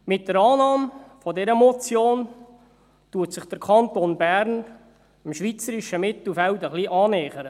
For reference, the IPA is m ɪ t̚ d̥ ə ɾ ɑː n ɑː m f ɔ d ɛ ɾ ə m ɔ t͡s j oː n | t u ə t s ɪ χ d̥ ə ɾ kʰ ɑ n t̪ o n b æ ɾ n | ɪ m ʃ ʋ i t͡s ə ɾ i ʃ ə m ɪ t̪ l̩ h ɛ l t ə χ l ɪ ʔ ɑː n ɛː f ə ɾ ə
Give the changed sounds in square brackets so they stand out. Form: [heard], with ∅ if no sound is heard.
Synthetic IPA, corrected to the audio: m ɪ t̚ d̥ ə ɾ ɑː n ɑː m f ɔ d ɛ ɾ ə m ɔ t͡s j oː n | t u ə t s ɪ χ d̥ ə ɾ kʰ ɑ n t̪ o n b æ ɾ n | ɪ m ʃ ʋ i t͡s ə ɾ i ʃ ə m ɪ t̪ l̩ [f] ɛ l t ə χ l [i] ʔ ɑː n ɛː [χ] ə ɾ ə